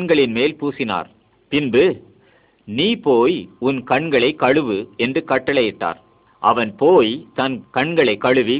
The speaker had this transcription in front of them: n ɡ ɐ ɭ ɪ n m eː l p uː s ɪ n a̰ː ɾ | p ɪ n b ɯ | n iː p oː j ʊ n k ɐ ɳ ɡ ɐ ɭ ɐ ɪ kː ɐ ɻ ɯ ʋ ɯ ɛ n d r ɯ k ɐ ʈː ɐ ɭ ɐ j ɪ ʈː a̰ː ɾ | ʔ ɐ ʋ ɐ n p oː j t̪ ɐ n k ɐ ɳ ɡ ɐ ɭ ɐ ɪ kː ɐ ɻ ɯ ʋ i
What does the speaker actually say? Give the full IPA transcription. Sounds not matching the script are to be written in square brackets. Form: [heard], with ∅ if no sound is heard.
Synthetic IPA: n ɡ ɐ ɭ ɪ n m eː l p uː s ɪ n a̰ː ɾ | p ɪ n b ɯ | n iː p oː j ʊ n k ɐ ɳ ɡ ɐ ɭ ɐ ɪ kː ɐ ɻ ɯ ʋ ɯ ɛ n d r ɯ k ɐ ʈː ɐ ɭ ɐ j ɪ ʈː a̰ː ɾ | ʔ ɐ ʋ ɐ n p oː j t̪ ɐ n k ɐ ɳ ɡ ɐ ɭ ɐ ɪ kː ɐ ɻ ɯ ʋ i